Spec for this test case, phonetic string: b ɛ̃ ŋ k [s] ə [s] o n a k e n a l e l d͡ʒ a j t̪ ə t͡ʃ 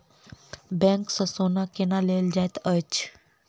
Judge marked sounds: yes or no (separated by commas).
yes, yes